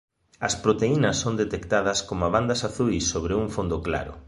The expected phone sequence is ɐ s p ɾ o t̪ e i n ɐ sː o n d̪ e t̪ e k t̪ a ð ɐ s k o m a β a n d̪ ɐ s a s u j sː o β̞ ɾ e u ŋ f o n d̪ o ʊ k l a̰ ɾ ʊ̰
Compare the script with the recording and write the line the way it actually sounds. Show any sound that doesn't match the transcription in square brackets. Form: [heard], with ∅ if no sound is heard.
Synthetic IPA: ɐ s p ɾ o t̪ e i n ɐ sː o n d̪ e t̪ e k t̪ a ð ɐ s k o m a β a n d̪ ɐ s a [θ] u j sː o β̞ ɾ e u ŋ f o n d̪ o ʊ k l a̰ ɾ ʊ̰